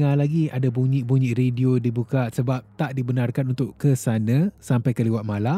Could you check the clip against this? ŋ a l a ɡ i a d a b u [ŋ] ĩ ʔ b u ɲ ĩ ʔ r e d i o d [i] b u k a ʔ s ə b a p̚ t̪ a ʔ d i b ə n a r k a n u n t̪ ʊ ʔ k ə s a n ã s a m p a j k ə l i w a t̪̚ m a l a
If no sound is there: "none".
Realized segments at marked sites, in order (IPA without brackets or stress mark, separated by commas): ɲ, i